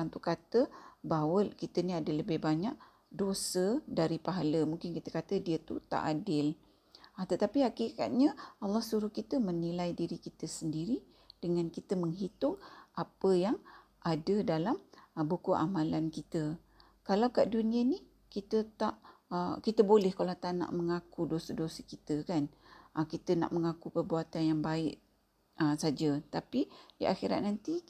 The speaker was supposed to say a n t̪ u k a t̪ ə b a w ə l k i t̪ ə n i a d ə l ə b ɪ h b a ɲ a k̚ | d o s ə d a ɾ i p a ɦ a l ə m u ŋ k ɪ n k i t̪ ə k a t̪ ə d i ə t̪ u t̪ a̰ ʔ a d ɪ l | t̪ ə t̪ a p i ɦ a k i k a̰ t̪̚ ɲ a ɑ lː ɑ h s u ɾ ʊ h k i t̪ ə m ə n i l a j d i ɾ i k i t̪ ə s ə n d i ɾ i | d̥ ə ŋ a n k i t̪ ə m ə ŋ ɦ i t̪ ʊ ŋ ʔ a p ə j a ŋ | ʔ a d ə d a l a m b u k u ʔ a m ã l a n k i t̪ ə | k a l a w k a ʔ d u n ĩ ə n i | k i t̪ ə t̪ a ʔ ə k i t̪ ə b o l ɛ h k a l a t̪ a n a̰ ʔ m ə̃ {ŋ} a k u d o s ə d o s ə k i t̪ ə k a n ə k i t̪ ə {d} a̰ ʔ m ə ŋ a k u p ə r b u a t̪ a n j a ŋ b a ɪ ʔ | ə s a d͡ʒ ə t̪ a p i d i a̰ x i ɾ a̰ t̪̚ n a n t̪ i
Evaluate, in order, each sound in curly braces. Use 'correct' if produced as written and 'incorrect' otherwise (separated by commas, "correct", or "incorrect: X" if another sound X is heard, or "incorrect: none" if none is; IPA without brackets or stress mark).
correct, incorrect: n